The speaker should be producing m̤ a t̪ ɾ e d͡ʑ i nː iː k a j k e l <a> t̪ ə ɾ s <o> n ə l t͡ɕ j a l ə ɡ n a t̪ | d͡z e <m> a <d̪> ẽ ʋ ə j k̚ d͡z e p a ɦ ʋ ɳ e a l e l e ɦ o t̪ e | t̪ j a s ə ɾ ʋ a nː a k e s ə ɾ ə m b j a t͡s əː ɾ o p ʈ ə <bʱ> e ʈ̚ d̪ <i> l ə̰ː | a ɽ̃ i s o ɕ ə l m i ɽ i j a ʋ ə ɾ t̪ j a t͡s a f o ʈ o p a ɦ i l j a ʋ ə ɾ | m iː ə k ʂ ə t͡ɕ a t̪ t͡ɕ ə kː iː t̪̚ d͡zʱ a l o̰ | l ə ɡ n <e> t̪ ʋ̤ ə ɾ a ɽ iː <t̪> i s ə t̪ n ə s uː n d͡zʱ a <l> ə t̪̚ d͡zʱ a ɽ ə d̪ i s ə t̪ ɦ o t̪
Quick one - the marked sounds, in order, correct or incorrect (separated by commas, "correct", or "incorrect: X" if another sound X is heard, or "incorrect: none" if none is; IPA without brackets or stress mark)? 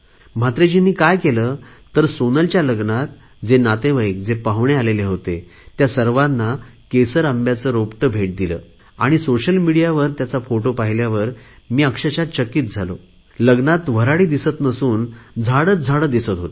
incorrect: ə, correct, incorrect: n, incorrect: t̪, correct, correct, incorrect: a, incorrect: d̪, incorrect: ɽ